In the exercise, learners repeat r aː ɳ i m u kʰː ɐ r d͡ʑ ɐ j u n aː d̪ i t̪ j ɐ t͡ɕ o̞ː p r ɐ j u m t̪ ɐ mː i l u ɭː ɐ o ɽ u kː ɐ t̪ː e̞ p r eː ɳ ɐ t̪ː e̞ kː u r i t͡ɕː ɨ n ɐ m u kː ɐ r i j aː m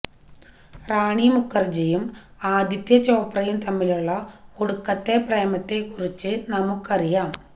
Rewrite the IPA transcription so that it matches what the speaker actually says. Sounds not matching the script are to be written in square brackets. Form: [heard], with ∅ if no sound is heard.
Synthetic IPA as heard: r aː ɳ i m u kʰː ɐ r d͡ʑ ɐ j u [m] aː d̪ i t̪ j ɐ t͡ɕ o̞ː p r ɐ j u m t̪ ɐ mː i l u ɭː ɐ o ɽ u kː ɐ t̪ː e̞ p r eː [m] ɐ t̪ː e̞ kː u r i t͡ɕː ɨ n ɐ m u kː ɐ r i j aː m

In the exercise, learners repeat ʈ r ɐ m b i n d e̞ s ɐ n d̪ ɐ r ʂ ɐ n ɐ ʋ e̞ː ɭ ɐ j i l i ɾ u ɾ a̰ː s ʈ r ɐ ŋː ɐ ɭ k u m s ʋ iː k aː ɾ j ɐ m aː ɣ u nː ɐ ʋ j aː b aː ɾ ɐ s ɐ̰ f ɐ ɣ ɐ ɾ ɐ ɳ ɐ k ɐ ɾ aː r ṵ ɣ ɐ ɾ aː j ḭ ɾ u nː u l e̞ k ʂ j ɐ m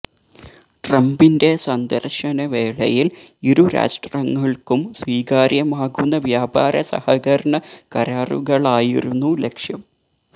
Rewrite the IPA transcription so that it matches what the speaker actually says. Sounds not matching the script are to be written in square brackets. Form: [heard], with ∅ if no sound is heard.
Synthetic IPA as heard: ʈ r ɐ m b i n d e̞ s ɐ n d̪ ɐ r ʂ ɐ n ɐ ʋ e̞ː ɭ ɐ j i l i ɾ u ɾ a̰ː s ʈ r ɐ ŋː ɐ ɭ k u m s ʋ iː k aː ɾ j ɐ m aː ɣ u nː ɐ ʋ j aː b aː ɾ ɐ s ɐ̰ [h] ɐ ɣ ɐ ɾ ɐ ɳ ɐ k ɐ ɾ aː r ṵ ɣ ɐ [ɭ] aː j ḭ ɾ u nː u l e̞ k ʂ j ɐ m

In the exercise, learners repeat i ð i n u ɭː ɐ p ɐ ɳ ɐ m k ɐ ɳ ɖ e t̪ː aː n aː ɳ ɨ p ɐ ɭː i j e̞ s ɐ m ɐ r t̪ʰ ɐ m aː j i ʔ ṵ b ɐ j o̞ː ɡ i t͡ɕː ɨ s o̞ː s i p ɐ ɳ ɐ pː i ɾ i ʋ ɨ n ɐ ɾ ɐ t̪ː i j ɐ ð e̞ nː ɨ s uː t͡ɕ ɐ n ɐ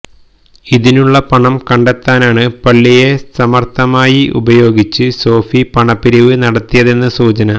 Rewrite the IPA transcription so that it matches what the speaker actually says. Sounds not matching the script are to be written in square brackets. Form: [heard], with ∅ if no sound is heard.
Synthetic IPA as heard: i ð i n u ɭː ɐ p ɐ ɳ ɐ m k ɐ ɳ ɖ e t̪ː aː n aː ɳ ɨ p ɐ ɭː i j e̞ s ɐ m ɐ r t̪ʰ ɐ m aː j i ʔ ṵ b ɐ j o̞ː ɡ i t͡ɕː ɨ s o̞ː [f] i p ɐ ɳ ɐ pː i ɾ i ʋ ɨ n ɐ [ɽ] ɐ t̪ː i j ɐ ð e̞ nː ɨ s uː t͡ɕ ɐ n ɐ

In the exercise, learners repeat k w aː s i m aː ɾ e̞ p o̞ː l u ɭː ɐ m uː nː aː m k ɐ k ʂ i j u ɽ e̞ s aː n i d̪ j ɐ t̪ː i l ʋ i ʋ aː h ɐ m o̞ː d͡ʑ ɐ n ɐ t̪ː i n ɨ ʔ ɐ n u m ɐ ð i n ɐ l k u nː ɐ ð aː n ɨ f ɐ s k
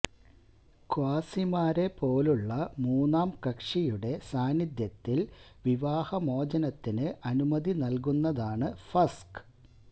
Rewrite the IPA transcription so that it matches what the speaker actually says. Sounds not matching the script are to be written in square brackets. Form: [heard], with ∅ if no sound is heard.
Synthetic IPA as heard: k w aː s i m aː ɾ e̞ p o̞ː l u ɭː ɐ m uː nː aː m k ɐ k ʂ i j u ɽ e̞ s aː n i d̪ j ɐ t̪ː i l ʋ i ʋ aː h ɐ m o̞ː d͡ʑ ɐ n ɐ t̪ː i n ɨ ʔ ɐ n u m ɐ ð i n ɐ l k u nː ɐ ð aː [ɳ] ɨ f ɐ s k

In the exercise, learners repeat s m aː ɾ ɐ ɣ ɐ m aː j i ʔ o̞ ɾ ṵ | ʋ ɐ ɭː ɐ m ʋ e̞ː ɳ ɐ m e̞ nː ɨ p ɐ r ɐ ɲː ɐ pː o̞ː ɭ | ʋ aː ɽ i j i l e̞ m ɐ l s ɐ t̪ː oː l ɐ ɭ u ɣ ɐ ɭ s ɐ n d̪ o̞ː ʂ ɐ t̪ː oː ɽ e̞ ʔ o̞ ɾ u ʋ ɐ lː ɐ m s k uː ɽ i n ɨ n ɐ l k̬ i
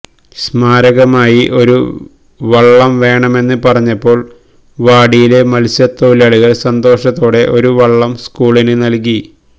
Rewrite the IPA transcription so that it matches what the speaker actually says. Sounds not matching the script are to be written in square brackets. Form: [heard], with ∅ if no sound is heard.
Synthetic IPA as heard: s m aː ɾ ɐ ɣ ɐ m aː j i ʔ o̞ ɾ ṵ | ʋ ɐ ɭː ɐ m ʋ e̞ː ɳ ɐ m e̞ nː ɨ p ɐ r ɐ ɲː ɐ pː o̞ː ɭ | ʋ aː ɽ i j i l e̞ m ɐ l s ɐ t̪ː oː l ɐ ɭ u ɣ ɐ ɭ s ɐ n d̪ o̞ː ʂ ɐ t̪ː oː ɽ e̞ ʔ o̞ ɾ u ʋ ɐ [ɭː] ɐ m s k uː [ɭ] i n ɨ n ɐ l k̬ i

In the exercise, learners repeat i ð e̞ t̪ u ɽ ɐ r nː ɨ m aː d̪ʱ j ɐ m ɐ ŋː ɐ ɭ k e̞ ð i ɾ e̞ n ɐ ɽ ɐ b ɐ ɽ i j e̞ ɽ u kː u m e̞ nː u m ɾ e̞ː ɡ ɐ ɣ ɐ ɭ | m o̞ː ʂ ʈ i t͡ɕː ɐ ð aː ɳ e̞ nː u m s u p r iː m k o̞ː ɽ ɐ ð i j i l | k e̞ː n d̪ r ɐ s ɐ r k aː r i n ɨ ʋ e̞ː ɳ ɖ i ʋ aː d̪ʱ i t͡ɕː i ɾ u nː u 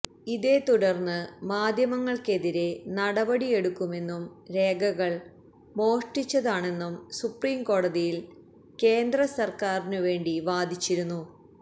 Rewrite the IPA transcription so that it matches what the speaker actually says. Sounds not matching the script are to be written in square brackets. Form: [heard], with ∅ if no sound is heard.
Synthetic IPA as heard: i ð e̞ t̪ u ɽ ɐ r nː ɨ m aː d̪ʱ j ɐ m ɐ ŋː ɐ ɭ k e̞ ð i ɾ e̞ n ɐ ɽ ɐ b ɐ ɽ i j e̞ ɽ u kː u m e̞ nː u m ɾ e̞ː ɡ ɐ ɣ ɐ ɭ | m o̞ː ʂ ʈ i t͡ɕː ɐ ð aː ɳ e̞ nː u m s u p r iː m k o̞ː ɽ ɐ ð i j i l | k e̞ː n d̪ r ɐ s ɐ r k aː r i n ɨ ʋ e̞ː ɳ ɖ i ʋ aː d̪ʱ i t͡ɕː i ɾ u nː u

